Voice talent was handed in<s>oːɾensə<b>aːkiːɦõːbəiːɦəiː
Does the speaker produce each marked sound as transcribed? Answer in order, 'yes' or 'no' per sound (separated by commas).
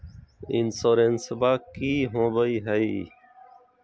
yes, yes